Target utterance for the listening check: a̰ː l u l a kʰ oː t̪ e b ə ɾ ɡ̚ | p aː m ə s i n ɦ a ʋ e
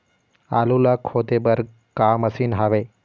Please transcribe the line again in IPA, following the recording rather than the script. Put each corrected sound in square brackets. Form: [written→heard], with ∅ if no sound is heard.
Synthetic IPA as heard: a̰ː l u l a kʰ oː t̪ e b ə ɾ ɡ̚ | [p→k] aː m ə s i n ɦ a ʋ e